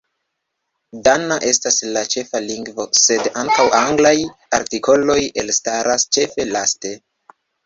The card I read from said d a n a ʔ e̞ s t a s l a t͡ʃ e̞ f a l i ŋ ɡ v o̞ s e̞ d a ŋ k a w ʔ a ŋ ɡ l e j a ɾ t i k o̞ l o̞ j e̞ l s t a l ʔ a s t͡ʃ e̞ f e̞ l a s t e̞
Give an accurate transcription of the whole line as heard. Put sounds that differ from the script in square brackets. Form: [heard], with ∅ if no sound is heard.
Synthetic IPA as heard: d a n a ʔ e̞ s t a s l a t͡ʃ e̞ f a l i ŋ ɡ v o̞ s e̞ d a ŋ k a w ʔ a ŋ ɡ l [a] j a ɾ t i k o̞ l o̞ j e̞ l s t a [ɾ] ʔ a s t͡ʃ e̞ f e̞ l a s t e̞